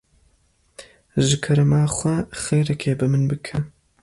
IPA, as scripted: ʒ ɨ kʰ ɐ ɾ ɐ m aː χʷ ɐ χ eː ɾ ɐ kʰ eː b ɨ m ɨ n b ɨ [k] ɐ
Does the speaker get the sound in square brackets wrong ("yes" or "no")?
yes